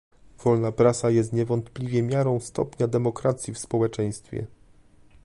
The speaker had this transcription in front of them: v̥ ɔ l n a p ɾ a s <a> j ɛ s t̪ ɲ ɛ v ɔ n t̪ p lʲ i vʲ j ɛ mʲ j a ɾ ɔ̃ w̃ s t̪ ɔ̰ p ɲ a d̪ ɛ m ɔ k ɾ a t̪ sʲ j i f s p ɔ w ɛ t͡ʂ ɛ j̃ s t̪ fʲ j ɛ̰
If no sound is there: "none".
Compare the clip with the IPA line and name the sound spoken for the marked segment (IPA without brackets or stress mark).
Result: a